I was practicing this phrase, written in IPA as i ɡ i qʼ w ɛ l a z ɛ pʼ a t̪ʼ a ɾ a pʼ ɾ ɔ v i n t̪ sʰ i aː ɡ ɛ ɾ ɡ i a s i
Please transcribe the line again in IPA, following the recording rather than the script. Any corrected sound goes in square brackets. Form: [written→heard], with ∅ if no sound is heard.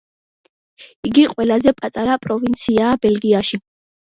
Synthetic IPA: i ɡ i qʼ w ɛ l a z ɛ pʼ a t̪ʼ a ɾ a pʼ ɾ ɔ v i n t̪ sʰ i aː [ɡ→b] ɛ [ɾ→l] ɡ i a [s→ʃ] i